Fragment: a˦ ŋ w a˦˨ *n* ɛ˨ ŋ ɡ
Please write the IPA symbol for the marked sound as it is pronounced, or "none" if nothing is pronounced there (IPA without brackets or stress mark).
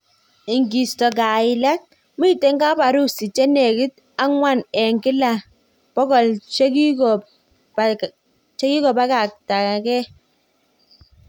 n